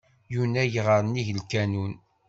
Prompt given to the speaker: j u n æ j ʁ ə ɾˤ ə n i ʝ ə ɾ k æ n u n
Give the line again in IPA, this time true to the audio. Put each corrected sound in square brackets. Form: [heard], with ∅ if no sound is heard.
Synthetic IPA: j u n æ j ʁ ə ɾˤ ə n i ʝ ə [l] k æ n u n